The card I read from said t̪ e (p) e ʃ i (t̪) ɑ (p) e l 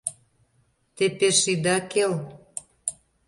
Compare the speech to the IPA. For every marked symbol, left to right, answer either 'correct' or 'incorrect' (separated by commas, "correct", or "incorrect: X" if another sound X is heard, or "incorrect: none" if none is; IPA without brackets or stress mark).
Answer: correct, incorrect: d̪, incorrect: k